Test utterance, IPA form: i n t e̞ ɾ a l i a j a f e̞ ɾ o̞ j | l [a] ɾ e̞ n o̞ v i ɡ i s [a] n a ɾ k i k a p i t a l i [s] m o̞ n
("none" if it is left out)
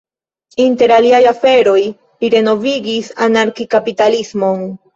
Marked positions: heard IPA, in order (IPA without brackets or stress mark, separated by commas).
i, a, s